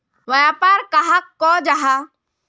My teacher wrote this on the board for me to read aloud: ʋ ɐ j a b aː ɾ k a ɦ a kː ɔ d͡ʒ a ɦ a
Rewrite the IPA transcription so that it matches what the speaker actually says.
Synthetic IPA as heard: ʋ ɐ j a p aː ɾ k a ɦ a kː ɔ d͡ʒ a ɦ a